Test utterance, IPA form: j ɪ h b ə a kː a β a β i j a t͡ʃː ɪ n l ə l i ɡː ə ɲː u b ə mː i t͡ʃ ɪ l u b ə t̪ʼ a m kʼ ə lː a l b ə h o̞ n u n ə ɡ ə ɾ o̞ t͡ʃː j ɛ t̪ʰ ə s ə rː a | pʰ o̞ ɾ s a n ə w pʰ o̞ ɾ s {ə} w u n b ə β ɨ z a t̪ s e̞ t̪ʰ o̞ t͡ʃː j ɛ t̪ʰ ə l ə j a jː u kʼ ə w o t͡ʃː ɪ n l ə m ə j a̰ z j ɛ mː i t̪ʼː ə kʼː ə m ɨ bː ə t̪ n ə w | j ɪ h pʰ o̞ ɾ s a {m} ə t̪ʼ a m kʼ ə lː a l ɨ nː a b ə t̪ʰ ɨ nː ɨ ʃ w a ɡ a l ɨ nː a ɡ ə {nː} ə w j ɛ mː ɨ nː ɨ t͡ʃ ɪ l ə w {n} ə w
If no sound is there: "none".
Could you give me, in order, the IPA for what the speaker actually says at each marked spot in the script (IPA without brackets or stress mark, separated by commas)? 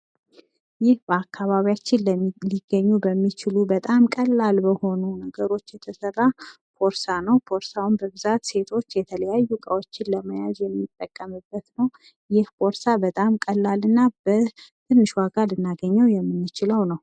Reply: a, b, ɲː, n